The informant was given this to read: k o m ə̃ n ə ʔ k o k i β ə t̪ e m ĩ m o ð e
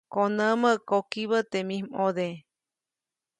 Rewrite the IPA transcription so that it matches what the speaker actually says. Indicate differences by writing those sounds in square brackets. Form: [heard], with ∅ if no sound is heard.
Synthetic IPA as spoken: k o [n] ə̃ [m] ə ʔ k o k i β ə t̪ e m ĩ m o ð e

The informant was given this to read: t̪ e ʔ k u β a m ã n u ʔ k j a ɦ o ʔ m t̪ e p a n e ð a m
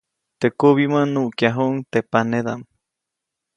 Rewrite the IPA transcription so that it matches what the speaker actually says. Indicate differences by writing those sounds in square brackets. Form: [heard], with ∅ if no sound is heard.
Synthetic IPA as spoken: t̪ e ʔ k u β [i] m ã n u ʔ k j a ɦ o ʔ [ŋ] t̪ e p a n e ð a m

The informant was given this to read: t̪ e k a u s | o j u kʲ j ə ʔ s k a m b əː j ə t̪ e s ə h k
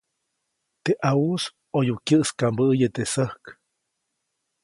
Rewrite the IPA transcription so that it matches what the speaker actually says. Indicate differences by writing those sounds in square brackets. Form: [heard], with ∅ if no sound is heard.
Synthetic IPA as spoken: t̪ e [ʔ] a u s | o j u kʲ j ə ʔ s k a m b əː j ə t̪ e s ə h k

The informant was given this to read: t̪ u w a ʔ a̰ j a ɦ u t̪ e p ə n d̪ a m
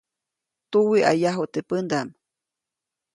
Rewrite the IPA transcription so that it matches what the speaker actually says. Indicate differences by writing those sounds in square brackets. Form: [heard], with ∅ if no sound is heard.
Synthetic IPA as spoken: t̪ u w [i] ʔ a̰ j a ɦ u t̪ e p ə n d̪ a m

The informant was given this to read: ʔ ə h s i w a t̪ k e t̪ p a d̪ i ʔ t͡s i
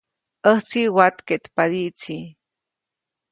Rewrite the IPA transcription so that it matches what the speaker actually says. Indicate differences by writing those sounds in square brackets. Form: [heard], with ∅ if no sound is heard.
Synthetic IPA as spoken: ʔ ə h [t͡s] i w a t̪ k e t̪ p a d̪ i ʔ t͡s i

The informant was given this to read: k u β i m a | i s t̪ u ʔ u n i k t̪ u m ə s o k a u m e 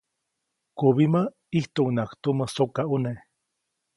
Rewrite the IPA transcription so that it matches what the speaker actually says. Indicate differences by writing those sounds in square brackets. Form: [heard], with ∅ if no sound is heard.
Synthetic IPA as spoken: k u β i m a | i [h] t̪ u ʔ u n [a] k t̪ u m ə s o k a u [n] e

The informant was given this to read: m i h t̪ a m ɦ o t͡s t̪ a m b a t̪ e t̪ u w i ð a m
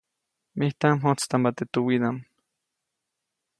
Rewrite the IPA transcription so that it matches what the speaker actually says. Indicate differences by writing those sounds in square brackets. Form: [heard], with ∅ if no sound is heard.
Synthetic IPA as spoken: m i h t̪ a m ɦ o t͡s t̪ a m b a t̪ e t̪ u w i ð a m

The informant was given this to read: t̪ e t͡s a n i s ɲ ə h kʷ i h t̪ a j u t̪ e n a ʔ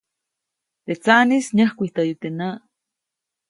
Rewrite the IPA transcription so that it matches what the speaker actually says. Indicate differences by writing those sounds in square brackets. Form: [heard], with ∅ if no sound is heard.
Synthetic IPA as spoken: t̪ e t͡s a n i s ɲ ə h kʷ i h t̪ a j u t̪ e n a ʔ

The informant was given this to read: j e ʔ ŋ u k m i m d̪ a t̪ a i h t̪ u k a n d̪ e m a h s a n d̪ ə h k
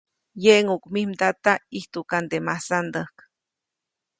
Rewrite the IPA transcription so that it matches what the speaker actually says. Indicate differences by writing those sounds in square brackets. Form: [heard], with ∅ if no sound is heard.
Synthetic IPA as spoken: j e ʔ ŋ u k m i m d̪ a t̪ a i h t̪ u k a n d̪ e m a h s a n d̪ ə h k

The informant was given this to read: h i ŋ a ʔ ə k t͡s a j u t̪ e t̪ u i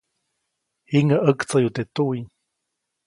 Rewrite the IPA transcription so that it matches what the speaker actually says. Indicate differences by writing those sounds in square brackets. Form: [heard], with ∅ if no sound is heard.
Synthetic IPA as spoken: h i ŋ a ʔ ə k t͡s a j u t̪ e t̪ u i

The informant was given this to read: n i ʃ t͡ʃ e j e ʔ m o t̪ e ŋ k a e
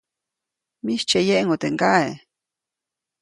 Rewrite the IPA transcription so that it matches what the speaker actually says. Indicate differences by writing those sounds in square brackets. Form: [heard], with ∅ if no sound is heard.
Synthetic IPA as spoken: [m] i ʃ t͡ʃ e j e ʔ [ŋ] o t̪ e ŋ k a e

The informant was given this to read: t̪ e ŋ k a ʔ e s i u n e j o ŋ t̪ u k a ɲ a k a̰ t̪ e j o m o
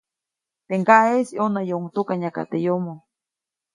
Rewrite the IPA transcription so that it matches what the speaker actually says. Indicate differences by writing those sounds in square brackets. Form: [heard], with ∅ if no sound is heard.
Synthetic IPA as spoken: t̪ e ŋ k a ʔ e s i [o] n [a] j o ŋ t̪ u k a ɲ a k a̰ t̪ e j o m o

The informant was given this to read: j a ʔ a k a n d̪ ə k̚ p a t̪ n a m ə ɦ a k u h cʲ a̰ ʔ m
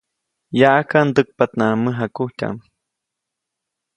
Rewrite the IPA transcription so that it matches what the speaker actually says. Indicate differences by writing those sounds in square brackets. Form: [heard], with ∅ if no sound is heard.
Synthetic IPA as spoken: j a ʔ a k a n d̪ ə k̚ p a t̪ n a m ə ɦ a k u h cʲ a̰ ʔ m

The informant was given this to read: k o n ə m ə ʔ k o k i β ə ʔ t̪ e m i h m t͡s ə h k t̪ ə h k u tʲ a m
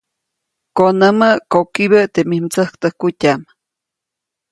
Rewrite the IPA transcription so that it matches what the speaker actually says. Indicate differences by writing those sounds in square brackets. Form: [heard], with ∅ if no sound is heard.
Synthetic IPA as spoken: k o n ə m ə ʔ k o k i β ə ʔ t̪ e m i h m t͡s ə h k t̪ ə h k u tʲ a m

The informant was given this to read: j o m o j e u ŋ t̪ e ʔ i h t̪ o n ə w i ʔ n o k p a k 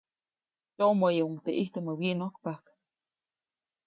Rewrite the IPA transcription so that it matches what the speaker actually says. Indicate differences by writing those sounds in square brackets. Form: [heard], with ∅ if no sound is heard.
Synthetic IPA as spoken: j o m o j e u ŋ t̪ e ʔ i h t̪ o [m] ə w i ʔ n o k p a k

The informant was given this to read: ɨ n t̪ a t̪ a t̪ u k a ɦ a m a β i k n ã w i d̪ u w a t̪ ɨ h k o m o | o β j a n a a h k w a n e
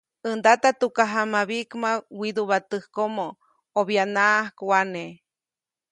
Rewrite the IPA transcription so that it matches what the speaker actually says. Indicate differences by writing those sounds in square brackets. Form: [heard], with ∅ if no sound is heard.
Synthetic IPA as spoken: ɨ n [d̪] a t̪ a t̪ u k a ɦ a m a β i k [m] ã w i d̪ u [β] a t̪ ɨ h k o m o | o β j a n a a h k w a n e

